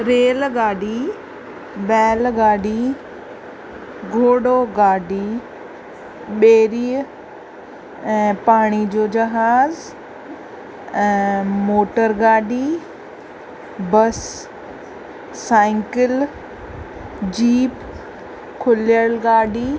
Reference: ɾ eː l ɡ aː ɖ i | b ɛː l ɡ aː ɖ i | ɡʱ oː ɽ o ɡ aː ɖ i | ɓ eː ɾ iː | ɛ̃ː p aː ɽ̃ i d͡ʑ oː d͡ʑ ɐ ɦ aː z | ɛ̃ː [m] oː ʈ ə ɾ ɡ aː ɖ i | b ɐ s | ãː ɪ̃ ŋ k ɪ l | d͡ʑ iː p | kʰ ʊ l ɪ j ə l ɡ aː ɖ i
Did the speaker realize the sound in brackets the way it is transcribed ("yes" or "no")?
yes